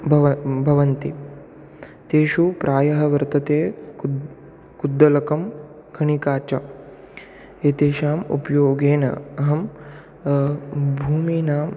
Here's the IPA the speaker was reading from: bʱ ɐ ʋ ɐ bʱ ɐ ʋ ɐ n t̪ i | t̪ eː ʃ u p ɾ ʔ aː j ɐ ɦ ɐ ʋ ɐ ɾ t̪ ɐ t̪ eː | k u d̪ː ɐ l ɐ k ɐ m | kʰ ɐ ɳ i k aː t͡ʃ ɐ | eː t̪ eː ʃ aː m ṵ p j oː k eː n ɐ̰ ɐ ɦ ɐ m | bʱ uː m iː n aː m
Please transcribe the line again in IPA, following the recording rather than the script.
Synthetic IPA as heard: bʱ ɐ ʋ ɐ bʱ ɐ ʋ ɐ n t̪ i | t̪ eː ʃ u p ɾ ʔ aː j ɐ ɦ ɐ ʋ ɐ ɾ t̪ ɐ t̪ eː | k u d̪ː ɐ l ɐ k ɐ m | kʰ ɐ ɳ i k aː t͡ʃ ɐ | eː t̪ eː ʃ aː m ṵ p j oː ɡ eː n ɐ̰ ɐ ɦ ɐ m | bʱ uː m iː n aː m